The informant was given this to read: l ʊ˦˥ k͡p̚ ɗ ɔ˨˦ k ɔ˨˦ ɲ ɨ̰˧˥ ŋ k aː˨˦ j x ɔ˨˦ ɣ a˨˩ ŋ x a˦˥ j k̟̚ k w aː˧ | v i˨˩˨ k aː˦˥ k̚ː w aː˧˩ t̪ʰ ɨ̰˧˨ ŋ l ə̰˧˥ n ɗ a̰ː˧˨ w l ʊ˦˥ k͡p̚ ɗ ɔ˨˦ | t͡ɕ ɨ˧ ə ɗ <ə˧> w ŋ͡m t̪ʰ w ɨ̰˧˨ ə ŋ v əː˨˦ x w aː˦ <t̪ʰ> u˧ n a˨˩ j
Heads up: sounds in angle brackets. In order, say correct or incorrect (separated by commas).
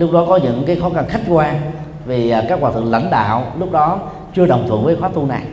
incorrect, incorrect